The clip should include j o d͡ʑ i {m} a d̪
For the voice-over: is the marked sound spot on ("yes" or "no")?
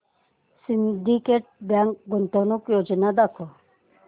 no